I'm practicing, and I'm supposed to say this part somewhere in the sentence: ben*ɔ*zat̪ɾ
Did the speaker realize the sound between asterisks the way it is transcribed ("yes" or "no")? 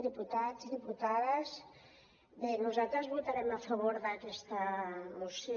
no